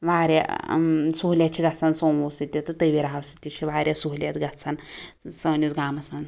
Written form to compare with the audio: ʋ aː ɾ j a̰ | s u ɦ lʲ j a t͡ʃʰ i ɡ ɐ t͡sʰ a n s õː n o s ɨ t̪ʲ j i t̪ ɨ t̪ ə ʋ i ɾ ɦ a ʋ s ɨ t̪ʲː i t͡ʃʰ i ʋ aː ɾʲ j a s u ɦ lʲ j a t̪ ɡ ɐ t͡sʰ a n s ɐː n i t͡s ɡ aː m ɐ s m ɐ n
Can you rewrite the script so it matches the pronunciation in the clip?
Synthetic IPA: ʋ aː ɾ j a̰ | s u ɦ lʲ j a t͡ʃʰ i ɡ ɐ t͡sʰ a n s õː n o s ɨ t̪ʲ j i t̪ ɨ t̪ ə ʋ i ɾ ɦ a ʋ s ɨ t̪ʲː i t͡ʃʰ i ʋ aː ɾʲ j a s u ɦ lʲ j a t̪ ɡ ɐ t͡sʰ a n s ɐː n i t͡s ɡ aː m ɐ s m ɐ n